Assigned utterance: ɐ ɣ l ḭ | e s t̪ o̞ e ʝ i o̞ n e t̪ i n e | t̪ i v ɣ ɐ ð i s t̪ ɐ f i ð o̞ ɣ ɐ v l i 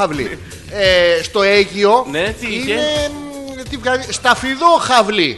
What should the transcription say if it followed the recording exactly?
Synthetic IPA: ɐ v l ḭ | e s t̪ o̞ e ʝ i o̞ n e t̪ i n e | t̪ i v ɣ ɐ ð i s t̪ ɐ f i ð o̞ x ɐ v l i